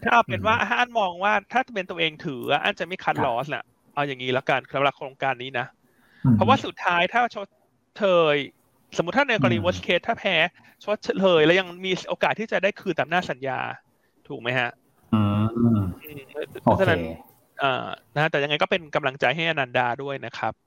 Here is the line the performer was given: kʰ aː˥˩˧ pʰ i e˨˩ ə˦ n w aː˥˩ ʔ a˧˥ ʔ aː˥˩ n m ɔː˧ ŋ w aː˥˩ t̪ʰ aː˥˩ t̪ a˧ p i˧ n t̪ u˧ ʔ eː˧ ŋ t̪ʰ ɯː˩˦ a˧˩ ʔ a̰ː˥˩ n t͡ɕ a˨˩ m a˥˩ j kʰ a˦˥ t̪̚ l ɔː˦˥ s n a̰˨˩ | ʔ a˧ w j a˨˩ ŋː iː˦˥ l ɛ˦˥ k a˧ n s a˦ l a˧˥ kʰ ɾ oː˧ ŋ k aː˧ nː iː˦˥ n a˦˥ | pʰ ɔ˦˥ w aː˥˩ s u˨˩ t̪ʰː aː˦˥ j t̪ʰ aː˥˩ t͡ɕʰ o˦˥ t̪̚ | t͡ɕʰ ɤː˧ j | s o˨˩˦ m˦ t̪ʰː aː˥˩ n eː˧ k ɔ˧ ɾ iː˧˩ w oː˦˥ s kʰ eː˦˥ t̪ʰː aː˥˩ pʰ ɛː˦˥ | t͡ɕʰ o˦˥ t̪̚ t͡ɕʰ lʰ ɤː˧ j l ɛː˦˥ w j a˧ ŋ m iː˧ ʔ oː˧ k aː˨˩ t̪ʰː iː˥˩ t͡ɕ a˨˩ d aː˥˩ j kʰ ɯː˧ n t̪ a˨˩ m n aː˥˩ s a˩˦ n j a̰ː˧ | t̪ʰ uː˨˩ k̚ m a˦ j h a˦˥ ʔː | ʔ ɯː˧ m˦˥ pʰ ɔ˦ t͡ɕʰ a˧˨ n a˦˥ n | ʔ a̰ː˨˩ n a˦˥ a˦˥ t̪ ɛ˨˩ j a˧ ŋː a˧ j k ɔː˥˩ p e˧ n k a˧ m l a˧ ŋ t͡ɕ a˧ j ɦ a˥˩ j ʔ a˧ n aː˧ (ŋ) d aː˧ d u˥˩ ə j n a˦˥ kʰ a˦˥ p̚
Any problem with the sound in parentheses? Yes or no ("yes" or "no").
yes